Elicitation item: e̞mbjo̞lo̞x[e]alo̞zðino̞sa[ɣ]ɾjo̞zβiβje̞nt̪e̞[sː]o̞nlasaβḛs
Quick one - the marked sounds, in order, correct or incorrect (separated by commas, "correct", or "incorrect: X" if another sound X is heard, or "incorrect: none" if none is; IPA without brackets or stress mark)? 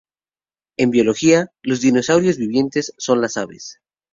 incorrect: i, incorrect: w, correct